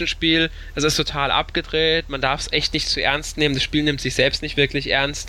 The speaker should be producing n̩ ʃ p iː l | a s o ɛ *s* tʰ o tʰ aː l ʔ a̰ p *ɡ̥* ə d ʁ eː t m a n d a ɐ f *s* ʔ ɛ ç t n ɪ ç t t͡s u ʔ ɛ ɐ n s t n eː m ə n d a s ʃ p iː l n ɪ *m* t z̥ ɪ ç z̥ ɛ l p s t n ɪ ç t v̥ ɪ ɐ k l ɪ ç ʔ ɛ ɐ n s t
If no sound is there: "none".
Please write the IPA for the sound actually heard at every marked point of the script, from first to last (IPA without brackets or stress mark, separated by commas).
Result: s, ɡ̥, s, m